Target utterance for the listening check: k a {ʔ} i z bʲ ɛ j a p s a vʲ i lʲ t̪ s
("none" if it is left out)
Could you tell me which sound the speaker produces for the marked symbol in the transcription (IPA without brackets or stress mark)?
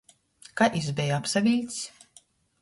ʔ